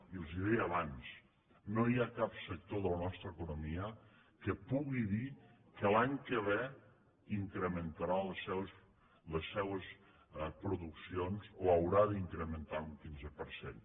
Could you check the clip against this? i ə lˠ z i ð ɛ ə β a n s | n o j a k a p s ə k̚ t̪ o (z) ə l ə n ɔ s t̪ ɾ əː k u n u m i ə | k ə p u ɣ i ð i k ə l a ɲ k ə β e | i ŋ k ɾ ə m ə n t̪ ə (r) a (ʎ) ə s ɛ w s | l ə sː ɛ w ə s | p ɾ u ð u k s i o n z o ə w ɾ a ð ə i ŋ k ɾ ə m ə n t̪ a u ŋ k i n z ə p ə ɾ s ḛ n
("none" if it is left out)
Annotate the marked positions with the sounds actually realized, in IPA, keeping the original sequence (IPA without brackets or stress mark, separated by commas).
ð, ɾ, l